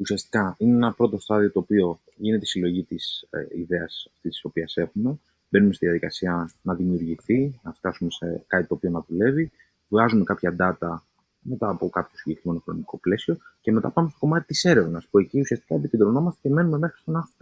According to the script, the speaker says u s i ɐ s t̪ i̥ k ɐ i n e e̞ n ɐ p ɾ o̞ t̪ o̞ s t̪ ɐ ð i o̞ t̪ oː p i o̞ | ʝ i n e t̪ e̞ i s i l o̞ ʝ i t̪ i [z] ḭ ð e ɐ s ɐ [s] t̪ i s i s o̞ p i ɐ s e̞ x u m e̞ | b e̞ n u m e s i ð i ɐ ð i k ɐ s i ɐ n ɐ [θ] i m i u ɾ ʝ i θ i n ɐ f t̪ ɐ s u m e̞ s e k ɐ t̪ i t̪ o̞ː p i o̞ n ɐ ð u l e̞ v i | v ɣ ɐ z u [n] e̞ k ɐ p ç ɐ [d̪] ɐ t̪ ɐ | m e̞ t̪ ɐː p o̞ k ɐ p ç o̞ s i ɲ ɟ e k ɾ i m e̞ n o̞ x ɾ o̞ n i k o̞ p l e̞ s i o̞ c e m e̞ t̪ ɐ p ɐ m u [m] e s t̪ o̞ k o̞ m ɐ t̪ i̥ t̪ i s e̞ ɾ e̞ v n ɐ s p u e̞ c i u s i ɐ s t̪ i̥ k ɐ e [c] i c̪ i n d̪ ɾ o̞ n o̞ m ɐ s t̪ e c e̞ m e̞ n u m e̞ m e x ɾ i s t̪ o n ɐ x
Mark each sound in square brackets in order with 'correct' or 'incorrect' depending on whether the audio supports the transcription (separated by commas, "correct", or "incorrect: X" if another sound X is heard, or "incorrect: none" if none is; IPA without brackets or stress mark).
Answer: incorrect: s, incorrect: f, incorrect: ð, incorrect: m, correct, correct, incorrect: p